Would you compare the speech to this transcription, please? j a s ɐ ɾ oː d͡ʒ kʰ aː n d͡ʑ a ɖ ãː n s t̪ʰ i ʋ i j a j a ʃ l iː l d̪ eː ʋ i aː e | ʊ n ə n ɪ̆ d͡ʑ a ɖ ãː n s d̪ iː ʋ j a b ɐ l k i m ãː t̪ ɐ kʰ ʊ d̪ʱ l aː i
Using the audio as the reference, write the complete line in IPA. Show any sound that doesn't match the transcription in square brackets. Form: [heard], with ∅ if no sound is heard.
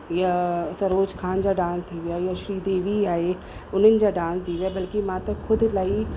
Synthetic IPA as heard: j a s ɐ ɾ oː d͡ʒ kʰ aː n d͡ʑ a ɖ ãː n s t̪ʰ i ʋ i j a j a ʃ [ɾ] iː [∅] d̪ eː ʋ i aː e | ʊ n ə n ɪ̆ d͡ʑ a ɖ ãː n s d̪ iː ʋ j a b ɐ l k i m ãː t̪ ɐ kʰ ʊ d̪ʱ l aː i